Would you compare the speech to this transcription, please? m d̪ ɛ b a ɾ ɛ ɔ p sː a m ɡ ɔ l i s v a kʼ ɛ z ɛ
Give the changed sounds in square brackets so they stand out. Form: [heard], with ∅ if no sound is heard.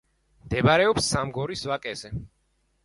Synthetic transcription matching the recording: m d̪ ɛ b a ɾ ɛ ɔ p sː a m ɡ ɔ [ɾ] i s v a kʼ ɛ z ɛ